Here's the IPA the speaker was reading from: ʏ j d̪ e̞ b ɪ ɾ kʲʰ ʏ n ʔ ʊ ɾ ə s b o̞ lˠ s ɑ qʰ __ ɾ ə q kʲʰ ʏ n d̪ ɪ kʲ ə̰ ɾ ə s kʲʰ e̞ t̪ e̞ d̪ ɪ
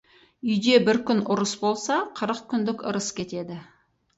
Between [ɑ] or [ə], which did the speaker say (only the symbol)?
ə